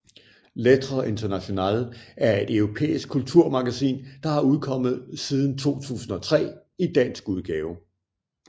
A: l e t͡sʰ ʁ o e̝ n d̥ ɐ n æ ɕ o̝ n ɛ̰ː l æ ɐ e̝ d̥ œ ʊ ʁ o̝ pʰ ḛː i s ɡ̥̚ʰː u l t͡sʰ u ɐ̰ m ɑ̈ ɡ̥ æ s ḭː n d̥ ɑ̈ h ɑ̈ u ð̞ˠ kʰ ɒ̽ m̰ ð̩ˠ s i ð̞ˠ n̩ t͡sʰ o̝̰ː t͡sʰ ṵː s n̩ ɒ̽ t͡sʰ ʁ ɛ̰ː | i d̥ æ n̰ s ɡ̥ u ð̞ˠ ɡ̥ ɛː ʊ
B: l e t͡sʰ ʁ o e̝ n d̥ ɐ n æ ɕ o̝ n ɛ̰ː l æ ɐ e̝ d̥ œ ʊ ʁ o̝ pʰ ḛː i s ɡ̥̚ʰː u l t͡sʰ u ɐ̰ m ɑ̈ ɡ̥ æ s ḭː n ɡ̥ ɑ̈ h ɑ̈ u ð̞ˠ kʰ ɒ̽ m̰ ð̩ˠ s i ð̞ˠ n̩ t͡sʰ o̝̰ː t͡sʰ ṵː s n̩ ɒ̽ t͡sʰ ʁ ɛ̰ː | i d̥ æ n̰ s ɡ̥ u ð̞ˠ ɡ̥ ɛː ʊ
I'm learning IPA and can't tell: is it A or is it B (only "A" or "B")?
A